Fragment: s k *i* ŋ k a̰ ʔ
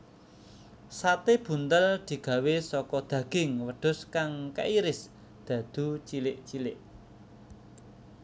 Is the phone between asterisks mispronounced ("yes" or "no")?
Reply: yes